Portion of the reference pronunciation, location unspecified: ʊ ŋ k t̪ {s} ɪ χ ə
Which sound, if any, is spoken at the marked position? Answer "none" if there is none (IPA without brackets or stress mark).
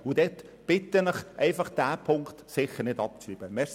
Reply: s